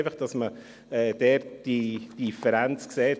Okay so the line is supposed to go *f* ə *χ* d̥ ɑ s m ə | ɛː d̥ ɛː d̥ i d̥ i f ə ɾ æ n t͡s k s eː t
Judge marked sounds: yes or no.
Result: yes, yes

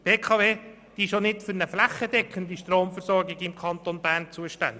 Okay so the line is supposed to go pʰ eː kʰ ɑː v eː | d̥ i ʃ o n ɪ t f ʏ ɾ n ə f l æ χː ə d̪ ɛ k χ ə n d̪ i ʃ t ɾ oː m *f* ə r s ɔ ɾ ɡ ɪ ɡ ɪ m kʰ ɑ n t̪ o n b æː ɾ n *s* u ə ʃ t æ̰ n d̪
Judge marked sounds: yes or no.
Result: yes, no

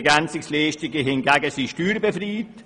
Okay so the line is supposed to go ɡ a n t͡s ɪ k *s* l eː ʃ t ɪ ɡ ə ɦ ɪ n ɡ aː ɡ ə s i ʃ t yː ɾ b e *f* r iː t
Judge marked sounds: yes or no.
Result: yes, yes

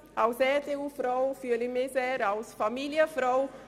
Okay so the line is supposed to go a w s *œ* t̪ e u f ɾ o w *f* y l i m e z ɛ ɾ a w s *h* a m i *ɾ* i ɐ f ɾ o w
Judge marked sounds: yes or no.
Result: no, yes, no, no

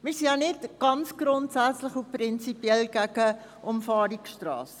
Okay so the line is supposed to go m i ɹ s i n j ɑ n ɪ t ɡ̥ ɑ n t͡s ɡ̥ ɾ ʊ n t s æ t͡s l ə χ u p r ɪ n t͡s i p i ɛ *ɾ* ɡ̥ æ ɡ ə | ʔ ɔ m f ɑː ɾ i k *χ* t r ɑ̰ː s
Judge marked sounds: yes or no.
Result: no, no

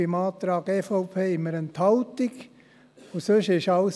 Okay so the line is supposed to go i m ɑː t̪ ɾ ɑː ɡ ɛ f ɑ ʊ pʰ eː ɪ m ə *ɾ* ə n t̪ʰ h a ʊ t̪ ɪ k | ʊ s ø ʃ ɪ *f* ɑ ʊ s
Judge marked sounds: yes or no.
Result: yes, no

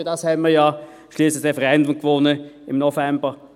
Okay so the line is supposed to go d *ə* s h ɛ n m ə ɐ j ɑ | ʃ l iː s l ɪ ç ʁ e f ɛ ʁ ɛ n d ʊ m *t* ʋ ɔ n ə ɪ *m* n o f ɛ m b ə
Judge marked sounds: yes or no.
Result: no, no, yes

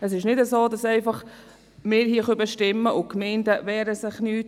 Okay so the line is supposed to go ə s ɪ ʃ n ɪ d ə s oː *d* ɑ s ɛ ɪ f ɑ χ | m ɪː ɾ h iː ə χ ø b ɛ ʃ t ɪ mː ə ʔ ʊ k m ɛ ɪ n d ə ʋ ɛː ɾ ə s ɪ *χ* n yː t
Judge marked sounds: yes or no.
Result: yes, yes

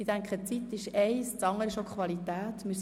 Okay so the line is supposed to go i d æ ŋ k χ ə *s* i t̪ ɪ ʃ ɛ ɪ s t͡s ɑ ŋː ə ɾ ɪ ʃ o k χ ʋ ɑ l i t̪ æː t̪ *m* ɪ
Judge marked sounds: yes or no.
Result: no, yes

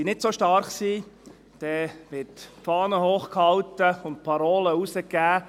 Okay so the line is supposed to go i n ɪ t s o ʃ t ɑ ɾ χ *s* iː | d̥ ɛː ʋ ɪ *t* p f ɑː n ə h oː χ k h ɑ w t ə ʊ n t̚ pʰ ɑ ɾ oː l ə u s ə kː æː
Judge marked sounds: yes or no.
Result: yes, yes

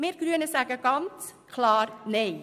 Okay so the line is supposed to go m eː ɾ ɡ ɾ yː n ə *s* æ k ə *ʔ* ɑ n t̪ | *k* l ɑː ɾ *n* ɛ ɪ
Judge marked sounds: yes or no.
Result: yes, no, no, yes

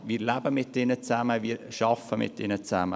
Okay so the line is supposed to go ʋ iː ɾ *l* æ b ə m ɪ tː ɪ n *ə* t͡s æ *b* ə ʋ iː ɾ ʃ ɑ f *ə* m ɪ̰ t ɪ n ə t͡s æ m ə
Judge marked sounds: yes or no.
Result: yes, yes, no, yes

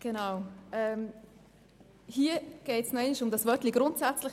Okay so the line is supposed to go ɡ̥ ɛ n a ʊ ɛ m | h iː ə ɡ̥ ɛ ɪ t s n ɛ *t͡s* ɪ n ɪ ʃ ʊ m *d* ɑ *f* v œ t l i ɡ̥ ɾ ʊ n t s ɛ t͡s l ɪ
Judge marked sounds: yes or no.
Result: no, yes, no

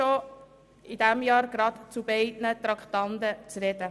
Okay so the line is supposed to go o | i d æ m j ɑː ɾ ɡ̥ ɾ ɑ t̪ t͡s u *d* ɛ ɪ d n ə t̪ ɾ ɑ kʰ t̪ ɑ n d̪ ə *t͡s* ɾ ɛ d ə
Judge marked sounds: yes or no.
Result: no, yes

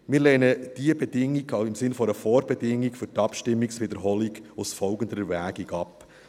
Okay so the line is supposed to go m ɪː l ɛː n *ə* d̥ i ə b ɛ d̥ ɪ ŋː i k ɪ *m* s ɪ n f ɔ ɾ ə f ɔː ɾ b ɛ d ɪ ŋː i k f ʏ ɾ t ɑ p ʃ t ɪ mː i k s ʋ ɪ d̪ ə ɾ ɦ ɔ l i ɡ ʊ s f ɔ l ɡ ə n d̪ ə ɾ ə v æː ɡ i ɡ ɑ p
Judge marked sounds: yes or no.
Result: yes, yes

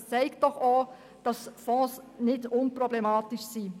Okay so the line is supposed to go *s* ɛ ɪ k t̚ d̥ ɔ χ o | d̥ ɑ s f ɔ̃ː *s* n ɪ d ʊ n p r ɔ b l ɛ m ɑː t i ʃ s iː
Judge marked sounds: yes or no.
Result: no, yes

